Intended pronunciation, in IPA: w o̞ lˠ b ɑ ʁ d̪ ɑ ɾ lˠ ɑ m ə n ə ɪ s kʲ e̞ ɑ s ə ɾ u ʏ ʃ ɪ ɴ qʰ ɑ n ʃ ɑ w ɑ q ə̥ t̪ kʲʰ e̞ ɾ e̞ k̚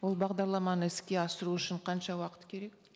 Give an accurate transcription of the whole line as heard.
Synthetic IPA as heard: w o̞ lˠ b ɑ ʁ d̪ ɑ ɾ lˠ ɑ m ɑ n ə ɪ s kʲ e̞ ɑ s ə ɾ u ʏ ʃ ɪ ɴ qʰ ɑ n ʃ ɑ w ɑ q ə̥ t̪ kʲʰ e̞ ɾ e̞ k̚